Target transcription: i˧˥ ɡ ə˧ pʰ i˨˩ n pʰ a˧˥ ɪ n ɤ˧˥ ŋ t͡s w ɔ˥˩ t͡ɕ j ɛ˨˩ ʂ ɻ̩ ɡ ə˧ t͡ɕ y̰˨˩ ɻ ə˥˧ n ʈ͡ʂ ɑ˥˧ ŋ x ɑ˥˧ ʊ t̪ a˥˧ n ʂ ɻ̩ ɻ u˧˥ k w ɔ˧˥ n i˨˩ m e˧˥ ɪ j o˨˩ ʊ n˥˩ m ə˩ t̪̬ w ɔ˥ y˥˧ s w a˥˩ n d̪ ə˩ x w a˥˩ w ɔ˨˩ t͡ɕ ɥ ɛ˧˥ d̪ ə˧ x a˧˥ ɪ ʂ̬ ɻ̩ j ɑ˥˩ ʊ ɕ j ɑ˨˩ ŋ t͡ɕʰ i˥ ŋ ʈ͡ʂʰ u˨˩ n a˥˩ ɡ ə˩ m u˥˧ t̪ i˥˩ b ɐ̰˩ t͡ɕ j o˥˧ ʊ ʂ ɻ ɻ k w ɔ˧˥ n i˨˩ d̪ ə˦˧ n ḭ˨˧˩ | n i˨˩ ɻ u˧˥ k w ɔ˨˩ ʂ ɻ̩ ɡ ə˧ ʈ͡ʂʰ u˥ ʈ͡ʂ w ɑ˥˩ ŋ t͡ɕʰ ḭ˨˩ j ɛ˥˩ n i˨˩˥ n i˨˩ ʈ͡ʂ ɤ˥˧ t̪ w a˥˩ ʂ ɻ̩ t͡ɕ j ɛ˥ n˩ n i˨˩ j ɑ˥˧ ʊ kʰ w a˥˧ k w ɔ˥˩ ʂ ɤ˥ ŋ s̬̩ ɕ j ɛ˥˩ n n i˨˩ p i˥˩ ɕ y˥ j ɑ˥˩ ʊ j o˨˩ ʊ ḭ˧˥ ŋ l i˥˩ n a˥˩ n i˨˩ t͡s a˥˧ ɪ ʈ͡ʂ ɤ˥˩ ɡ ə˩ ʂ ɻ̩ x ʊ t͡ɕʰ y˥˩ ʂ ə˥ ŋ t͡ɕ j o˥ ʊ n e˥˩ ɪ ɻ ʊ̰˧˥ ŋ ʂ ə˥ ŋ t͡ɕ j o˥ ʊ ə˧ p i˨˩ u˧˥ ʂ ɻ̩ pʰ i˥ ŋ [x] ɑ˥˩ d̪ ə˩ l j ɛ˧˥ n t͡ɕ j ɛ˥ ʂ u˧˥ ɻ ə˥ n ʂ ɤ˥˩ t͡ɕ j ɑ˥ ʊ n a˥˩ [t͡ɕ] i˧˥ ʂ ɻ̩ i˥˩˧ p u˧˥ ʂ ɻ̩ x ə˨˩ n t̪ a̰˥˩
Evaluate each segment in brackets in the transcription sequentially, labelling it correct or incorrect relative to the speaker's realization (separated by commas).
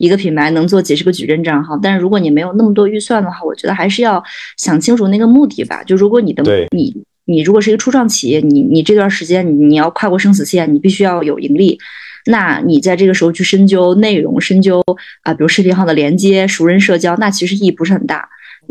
correct, incorrect